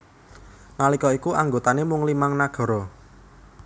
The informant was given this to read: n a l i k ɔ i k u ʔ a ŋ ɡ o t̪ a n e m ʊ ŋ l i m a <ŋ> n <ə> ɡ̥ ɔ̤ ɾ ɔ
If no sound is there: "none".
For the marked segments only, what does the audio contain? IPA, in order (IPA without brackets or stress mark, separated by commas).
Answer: ŋ, a